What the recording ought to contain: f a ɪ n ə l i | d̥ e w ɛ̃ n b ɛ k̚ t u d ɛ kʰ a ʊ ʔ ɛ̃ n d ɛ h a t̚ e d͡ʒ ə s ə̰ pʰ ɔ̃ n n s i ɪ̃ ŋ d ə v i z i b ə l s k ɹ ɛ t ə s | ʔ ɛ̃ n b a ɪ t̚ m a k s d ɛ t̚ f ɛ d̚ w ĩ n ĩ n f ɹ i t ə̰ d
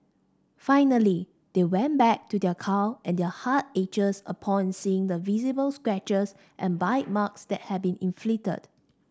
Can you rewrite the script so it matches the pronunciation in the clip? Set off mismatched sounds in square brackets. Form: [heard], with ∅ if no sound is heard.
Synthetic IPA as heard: f a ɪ n ə l i | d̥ e w ɛ̃ n b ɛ k̚ t u d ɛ kʰ a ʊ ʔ ɛ̃ n d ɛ h a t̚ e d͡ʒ ə s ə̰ pʰ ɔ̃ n n s i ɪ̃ ŋ d ə v i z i b ə l s k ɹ ɛ [t͡ʃ] ə s | ʔ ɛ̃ n b a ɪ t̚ m a k s d ɛ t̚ [h] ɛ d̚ [b] ĩ n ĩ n f [l] i t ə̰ d